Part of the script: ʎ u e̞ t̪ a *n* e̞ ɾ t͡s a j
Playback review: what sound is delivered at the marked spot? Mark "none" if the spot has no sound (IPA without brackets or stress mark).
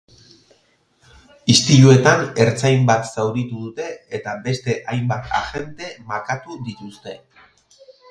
n